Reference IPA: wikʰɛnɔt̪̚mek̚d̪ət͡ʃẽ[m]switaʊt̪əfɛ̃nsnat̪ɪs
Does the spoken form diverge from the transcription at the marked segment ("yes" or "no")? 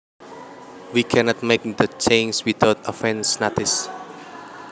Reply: yes